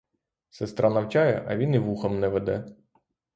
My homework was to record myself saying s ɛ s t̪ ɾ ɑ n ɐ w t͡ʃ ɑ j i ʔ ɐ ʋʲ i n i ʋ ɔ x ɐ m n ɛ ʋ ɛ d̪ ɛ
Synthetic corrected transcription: s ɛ s t̪ ɾ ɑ n ɐ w t͡ʃ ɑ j ɛ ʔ ɐ ʋʲ i n i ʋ u x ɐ m n ɛ ʋ ɛ d̪ ɛ